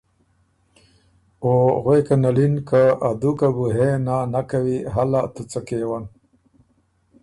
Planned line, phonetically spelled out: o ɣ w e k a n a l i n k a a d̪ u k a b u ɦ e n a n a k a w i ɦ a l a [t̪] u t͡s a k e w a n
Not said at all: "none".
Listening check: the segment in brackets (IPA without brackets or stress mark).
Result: t̪